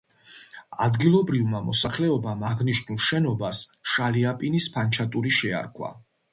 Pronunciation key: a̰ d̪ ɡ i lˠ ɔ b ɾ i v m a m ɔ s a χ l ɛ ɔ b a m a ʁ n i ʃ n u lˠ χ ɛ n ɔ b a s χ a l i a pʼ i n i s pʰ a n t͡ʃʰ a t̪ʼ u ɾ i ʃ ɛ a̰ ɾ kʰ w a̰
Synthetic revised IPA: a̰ d̪ ɡ i lˠ ɔ b ɾ i v m a m ɔ s a χ l ɛ ɔ b a m a ʁ n i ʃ n u lˠ ʃ ɛ n ɔ b a s ʃ a l i a pʼ i n i s pʰ a n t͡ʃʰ a t̪ʼ u ɾ i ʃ ɛ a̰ ɾ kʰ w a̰